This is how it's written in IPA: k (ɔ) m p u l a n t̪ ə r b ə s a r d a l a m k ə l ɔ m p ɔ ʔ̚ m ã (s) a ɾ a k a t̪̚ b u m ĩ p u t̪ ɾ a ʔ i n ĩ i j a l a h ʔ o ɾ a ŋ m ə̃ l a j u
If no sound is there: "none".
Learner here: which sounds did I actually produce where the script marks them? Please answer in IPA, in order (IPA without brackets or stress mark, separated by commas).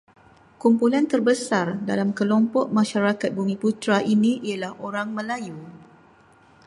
u, ʃ